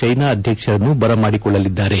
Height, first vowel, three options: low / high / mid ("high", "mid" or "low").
low